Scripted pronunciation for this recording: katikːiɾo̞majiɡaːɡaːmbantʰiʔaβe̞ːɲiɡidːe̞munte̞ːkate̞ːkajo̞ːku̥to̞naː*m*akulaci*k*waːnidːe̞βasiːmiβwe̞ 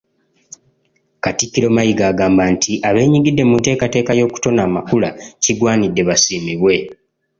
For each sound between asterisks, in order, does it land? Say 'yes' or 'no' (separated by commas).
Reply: yes, no